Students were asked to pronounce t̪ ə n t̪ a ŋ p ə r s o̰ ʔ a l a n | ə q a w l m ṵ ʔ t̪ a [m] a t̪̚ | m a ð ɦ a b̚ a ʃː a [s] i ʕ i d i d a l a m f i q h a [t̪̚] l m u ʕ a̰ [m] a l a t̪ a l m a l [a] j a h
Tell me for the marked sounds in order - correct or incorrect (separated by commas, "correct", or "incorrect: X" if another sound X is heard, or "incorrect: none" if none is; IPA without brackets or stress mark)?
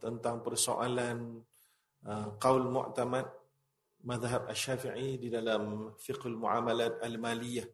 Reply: correct, incorrect: f, incorrect: none, correct, incorrect: i